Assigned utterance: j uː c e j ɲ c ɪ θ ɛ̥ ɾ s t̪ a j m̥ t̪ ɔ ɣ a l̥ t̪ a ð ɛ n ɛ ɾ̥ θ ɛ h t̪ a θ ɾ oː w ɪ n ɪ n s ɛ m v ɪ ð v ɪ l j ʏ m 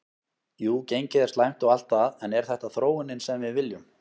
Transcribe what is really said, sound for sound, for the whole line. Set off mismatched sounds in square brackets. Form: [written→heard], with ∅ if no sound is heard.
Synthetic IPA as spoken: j uː c e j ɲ c ɪ [θ→ð] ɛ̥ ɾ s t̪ a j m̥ t̪ ɔ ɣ a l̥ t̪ a ð ɛ n ɛ ɾ̥ θ ɛ h t̪ a θ ɾ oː w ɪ n ɪ n s ɛ m v ɪ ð v ɪ l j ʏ m